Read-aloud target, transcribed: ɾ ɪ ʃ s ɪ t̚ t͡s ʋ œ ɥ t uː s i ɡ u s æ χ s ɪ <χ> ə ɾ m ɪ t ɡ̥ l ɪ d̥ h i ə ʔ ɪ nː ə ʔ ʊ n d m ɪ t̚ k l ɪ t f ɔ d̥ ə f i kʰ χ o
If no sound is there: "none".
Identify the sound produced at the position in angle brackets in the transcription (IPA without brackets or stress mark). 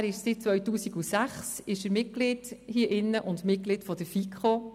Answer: ʃ